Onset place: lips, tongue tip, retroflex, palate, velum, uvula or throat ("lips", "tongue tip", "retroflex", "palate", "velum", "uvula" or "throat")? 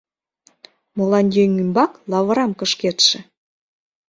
lips